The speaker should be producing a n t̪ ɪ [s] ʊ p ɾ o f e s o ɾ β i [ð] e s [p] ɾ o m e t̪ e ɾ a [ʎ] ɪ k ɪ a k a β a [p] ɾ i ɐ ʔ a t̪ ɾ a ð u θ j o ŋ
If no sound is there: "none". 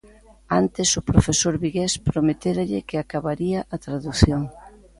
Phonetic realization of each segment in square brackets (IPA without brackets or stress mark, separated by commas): s, ɣ, p, ʎ, none